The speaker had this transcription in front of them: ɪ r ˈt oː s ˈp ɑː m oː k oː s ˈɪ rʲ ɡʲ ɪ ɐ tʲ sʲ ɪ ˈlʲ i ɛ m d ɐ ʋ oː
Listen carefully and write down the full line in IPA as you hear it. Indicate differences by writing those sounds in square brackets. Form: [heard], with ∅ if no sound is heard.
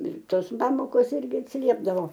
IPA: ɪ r ˈt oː s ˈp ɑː m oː k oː s ˈɪ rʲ ɡʲ ɪ ɐ tʲ sʲ ɪ ˈlʲ i ɛ [b] d ɐ ʋ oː